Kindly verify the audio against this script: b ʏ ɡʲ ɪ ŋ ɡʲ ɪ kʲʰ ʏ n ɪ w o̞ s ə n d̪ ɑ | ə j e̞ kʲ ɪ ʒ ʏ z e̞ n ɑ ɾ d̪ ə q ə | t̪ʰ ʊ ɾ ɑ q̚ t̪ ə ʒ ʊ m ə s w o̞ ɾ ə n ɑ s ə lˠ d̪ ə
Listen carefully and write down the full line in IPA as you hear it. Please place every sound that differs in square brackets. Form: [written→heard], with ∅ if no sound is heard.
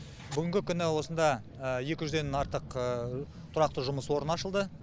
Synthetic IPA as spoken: b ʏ ɡʲ ɪ ŋ ɡʲ ɪ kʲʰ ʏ n ɪ w o̞ s ə n d̪ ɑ | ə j e̞ kʲ ɪ ʒ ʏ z e̞ n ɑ ɾ [d̪→t̪] ə q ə | t̪ʰ ʊ ɾ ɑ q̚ t̪ ə ʒ ʊ m ə s w o̞ ɾ ə n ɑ [s→ʃ] ə lˠ d̪ ə